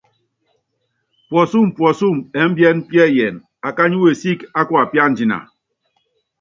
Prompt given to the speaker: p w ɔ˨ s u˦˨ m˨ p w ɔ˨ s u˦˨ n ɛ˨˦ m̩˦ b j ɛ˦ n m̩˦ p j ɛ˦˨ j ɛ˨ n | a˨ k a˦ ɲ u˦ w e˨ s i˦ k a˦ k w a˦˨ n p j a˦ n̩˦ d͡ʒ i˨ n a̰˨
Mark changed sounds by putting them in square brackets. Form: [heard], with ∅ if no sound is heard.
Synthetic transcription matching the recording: p w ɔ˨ s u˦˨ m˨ p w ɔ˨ s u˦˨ [m] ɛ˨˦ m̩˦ b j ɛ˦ n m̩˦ p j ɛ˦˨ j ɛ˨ n | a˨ k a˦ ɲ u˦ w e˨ s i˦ k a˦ k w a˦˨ [∅] p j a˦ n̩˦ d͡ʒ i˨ n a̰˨

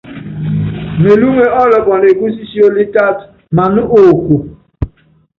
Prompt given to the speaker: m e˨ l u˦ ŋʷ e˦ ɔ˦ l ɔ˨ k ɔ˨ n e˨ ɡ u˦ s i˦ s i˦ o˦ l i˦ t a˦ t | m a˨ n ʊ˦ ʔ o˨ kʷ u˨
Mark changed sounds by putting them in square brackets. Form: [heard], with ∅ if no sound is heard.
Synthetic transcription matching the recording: m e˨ l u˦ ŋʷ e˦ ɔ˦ l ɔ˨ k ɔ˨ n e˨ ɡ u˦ s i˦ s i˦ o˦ l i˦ t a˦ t | m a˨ n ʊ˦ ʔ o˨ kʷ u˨

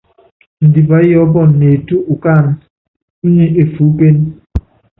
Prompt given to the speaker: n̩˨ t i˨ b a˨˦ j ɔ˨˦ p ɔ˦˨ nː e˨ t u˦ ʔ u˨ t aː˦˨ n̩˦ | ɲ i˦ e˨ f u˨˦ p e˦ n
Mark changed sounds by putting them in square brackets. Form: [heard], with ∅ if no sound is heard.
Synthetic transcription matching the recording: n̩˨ [d] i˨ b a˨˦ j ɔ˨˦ [b] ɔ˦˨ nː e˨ t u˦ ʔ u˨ [k] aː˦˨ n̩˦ | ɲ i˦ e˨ f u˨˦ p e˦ n

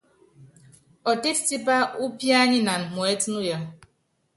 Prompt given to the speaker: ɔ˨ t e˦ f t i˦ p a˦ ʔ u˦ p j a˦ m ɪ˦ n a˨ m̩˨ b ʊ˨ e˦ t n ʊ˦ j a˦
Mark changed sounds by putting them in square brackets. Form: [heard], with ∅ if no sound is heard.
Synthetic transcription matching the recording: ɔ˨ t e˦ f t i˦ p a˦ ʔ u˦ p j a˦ [ɲ] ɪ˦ n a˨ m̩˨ [m] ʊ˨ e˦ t n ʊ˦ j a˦

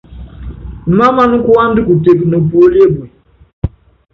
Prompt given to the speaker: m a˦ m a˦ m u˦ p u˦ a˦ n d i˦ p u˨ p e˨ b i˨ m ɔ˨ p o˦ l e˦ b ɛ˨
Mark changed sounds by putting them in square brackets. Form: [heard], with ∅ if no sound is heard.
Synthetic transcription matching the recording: m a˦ m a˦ [n] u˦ [k] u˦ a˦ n d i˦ [k] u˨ [t] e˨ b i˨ [n] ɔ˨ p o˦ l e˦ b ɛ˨

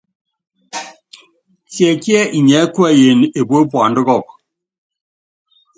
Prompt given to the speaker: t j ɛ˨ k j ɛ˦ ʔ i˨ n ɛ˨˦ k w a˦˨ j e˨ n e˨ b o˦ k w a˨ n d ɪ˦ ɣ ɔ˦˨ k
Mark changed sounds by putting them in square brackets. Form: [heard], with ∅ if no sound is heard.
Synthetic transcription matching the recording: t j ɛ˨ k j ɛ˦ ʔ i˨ [ɲ] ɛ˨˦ k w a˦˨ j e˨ n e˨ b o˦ [p] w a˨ n d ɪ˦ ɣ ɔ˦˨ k

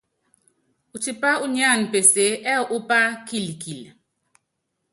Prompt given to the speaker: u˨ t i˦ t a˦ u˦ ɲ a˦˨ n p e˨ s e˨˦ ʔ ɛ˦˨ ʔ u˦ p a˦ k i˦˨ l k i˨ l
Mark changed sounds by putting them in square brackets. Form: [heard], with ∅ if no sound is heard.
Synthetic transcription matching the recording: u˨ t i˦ [p] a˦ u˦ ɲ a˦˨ n p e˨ s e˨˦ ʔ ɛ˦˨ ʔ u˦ p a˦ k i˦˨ l k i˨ l

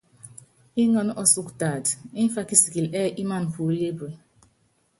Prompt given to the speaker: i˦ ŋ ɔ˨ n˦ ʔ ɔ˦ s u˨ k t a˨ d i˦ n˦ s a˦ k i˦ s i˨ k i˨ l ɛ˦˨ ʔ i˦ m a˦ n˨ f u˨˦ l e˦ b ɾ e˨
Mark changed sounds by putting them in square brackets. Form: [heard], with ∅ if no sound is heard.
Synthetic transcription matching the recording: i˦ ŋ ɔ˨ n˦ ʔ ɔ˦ s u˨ k t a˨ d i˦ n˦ [f] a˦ k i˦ s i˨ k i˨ l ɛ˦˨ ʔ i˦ m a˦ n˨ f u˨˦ l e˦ b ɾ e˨

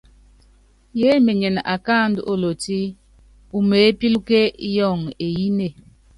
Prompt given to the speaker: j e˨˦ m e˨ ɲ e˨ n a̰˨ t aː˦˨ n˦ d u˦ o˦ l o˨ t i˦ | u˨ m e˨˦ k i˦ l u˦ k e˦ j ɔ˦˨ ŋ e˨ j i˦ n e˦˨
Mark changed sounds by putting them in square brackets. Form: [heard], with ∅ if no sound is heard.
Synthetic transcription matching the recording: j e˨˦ m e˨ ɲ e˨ n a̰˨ [k] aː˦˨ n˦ d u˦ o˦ l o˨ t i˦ | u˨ m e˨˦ [p] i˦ l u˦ k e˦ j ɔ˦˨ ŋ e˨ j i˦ n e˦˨

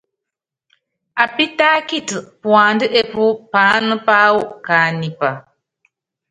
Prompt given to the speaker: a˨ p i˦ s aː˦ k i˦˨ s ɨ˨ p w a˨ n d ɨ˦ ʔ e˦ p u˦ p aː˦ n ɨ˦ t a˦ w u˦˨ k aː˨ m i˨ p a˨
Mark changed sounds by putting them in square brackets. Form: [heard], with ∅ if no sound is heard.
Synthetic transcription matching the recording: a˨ p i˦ [t] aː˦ k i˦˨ [t] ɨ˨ p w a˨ n d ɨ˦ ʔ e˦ p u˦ p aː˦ n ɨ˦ [p] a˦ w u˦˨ k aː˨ [n] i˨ p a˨

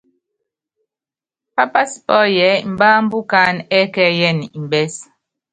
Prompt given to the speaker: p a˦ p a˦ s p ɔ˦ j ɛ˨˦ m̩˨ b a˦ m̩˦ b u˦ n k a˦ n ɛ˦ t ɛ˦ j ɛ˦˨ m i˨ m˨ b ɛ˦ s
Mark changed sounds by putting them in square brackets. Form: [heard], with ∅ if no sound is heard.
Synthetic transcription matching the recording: p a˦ p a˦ s p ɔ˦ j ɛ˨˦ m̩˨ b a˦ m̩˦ b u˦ [∅] k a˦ n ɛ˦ [k] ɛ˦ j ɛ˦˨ [n] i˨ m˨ b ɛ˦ s

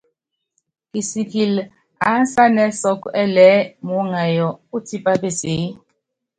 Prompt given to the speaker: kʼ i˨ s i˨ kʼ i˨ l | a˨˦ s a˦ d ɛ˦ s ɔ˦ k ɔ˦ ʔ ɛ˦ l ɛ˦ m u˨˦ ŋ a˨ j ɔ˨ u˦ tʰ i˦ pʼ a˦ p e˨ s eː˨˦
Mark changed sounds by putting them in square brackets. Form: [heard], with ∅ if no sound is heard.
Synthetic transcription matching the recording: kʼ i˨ s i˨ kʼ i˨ l | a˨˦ s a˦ [n] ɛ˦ s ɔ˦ k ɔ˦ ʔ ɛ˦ l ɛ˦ m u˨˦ ŋ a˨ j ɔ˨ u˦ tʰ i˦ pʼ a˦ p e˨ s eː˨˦

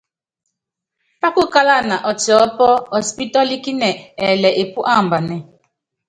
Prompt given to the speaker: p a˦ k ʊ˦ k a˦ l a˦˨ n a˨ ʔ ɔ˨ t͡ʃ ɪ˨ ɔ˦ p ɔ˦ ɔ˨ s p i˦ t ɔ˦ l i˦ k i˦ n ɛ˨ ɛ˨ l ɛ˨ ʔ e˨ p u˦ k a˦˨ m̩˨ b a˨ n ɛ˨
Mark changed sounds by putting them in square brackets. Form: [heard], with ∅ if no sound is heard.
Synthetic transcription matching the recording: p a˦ k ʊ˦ k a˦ l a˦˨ n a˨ ʔ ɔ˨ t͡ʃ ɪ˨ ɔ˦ p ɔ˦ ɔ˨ s p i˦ t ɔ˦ l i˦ k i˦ n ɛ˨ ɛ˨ l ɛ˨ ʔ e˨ p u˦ [ʔ] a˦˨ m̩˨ b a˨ n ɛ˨

